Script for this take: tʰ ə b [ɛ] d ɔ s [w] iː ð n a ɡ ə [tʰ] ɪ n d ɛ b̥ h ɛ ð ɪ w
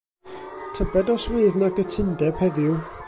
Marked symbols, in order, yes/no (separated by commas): yes, yes, yes